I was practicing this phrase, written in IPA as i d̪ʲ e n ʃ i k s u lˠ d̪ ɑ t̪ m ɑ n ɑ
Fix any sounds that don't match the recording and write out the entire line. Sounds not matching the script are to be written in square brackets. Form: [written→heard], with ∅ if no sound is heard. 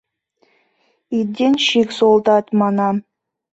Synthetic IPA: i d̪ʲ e n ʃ i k s [u→o] lˠ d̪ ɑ t̪ m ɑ n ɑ

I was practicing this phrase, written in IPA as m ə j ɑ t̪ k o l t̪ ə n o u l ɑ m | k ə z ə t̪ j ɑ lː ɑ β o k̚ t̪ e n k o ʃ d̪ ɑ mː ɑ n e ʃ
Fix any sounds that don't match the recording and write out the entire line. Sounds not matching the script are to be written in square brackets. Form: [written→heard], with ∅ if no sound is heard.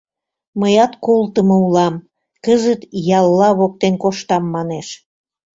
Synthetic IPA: m ə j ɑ t̪ k o l t̪ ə [n→m] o u l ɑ m | k ə z ə t̪ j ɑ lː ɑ β o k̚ t̪ e n k o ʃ [d̪→t̪] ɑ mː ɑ n e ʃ

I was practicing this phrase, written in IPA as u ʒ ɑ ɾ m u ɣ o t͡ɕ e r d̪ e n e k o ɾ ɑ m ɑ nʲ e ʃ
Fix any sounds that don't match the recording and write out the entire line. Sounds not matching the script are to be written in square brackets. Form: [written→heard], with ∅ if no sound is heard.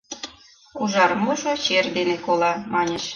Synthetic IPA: u ʒ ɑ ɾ m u [ɣ→ʒ] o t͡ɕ e r d̪ e n e k o [ɾ→l] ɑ m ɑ nʲ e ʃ

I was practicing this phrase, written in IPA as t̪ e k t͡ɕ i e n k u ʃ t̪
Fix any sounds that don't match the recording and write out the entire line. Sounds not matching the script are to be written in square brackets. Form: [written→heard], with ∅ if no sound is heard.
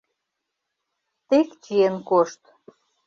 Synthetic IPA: t̪ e k t͡ɕ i e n k [u→o] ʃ t̪

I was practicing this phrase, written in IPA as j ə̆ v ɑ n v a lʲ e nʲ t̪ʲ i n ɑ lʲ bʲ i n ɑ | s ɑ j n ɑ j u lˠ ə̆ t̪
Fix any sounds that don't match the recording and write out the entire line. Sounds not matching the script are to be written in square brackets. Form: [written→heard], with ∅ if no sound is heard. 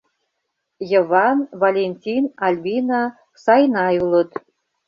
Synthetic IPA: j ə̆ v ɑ n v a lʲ e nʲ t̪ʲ i n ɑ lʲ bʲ i n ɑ | s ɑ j n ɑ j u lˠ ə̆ t̪

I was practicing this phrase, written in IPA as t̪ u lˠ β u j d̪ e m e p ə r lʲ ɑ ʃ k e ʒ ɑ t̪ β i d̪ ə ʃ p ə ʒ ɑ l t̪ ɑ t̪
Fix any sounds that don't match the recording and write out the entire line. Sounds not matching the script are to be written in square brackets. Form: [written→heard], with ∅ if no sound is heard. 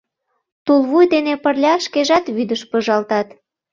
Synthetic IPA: t̪ u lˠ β u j d̪ e [m→n] e p ə r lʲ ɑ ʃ k e ʒ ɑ t̪ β [i→y] d̪ ə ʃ p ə ʒ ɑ l t̪ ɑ t̪

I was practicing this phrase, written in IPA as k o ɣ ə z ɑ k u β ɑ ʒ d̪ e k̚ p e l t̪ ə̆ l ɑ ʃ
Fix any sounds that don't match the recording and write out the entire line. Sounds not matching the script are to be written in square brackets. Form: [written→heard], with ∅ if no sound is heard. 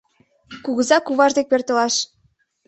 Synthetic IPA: k [o→u] ɣ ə z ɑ k u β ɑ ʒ d̪ e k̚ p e [l→r] t̪ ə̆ l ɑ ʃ

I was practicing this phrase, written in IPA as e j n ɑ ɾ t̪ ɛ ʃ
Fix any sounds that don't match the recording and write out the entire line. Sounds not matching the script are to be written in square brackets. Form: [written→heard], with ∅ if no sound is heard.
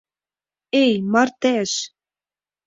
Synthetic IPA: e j [n→m] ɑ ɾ t̪ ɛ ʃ

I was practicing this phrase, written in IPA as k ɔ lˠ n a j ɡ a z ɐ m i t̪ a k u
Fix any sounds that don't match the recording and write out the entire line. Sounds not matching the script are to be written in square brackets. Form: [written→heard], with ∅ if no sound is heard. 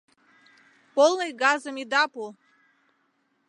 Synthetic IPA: [k→p] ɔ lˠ n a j ɡ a z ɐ m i [t̪→d̪] a [k→p] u

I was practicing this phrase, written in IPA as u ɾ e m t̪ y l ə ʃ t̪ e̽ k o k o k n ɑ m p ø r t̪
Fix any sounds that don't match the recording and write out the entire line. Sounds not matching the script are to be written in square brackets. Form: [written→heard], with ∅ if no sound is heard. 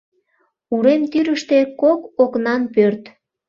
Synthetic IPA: u ɾ e m t̪ y [l→ɾ] ə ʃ t̪ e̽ k o k o k n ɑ [m→n] p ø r t̪

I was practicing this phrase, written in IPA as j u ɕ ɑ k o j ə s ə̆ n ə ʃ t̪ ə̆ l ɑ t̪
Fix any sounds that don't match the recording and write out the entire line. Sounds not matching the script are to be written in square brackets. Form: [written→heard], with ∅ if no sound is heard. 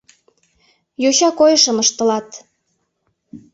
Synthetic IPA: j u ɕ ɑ k o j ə [s→ʃ] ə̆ [n→m] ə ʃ t̪ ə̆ l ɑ t̪

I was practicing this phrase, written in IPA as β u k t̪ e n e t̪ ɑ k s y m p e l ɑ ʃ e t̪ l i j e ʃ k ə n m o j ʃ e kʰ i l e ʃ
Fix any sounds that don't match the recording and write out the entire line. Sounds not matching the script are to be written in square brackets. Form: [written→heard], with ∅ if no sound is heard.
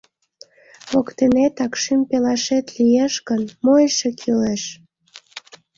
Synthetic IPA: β [u→o] k t̪ e n e t̪ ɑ k [s→ʃ] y m p e l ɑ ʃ e t̪ l i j e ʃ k ə n m o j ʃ e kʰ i l e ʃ

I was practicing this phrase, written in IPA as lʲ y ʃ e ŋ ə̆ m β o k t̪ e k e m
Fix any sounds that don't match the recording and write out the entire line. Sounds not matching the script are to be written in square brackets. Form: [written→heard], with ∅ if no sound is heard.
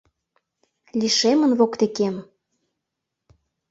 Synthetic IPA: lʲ [y→i] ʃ e [ŋ→m] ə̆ [m→n] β o k t̪ e k e m

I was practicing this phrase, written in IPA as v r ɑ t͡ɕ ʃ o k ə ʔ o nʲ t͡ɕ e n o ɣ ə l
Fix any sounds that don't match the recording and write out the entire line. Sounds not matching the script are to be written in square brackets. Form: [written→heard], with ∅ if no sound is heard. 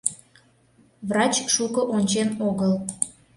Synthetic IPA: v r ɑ t͡ɕ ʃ [o→u] k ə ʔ o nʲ t͡ɕ e n o ɣ ə l

